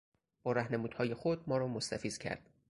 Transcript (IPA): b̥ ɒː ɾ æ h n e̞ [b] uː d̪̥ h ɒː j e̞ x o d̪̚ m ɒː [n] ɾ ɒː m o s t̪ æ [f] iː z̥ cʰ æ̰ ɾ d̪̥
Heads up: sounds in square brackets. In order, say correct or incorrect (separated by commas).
incorrect, incorrect, correct